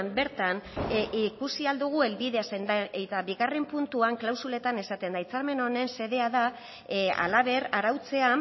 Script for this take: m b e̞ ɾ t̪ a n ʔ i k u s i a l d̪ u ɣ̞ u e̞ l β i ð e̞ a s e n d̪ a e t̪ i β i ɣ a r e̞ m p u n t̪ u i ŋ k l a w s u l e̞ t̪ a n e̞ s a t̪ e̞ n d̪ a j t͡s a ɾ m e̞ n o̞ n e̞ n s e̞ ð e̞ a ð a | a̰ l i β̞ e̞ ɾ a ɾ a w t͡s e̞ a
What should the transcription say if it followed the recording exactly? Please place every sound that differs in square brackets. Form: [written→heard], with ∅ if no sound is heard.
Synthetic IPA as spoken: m b e̞ ɾ t̪ a n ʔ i k u s i a l d̪ u ɣ̞ u e̞ l β i ð e̞ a s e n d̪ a e t̪ [i→a] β i ɣ a r e̞ m p u n t̪ u [i→a] ŋ k l a w s u l e̞ t̪ a n e̞ s a t̪ e̞ n d̪ a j t͡s a ɾ m e̞ n o̞ n e̞ n s e̞ ð e̞ a ð a | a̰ l [i→a] β̞ e̞ ɾ a ɾ a w t͡s e̞ a